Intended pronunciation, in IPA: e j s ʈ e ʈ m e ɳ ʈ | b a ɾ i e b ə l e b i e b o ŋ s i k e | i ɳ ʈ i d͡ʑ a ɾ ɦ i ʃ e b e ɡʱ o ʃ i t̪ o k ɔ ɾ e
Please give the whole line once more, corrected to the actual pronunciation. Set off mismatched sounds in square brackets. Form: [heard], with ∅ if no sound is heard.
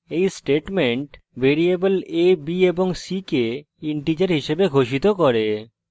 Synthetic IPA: e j s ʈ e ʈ m e ɳ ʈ | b [e] ɾ i e b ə l e b i e b o ŋ s i k e | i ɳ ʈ i d͡ʑ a ɾ ɦ i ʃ e b e ɡʱ o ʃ i t̪ o k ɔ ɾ e